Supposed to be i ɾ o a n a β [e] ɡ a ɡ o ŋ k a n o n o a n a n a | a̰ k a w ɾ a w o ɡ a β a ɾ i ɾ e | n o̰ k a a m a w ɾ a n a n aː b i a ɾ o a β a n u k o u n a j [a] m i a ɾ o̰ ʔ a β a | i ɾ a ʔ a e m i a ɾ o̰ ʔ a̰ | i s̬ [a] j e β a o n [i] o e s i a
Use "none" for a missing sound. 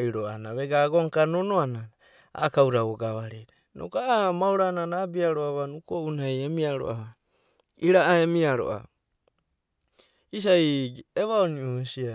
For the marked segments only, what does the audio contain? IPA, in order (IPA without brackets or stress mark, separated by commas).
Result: e, e, a, i